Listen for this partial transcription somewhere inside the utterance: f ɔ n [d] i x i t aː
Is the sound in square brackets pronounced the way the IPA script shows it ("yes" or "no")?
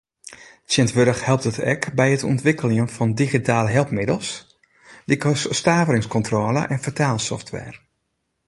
yes